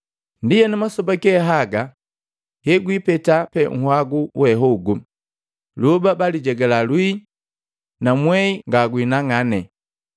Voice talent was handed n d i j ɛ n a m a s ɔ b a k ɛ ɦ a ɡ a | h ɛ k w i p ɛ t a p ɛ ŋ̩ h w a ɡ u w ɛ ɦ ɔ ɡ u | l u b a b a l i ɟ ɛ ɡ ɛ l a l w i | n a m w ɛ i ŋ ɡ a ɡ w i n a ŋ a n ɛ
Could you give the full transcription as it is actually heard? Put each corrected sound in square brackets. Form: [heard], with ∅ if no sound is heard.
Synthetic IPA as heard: n d i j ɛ n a m a s ɔ b a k ɛ ɦ a ɡ a | h ɛ [ɡ] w i p ɛ t a p ɛ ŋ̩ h w a ɡ u w ɛ ɦ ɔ ɡ u | l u b a b a l i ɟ ɛ ɡ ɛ l a l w i | n a m w ɛ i ŋ ɡ a ɡ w i n a ŋ a n ɛ